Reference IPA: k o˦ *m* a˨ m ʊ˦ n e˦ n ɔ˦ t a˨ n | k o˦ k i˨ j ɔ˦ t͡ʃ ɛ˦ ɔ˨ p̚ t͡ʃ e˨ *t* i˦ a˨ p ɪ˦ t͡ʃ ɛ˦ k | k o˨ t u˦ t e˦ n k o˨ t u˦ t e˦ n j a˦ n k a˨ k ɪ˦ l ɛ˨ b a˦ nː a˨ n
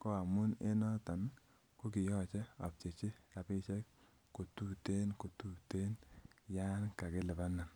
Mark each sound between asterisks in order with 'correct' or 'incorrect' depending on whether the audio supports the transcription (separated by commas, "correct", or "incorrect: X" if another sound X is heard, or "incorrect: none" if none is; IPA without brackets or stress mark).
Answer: incorrect: none, incorrect: t͡ʃ